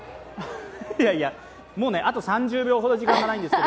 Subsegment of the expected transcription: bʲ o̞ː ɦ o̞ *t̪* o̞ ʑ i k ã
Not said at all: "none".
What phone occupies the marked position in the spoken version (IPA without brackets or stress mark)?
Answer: d̪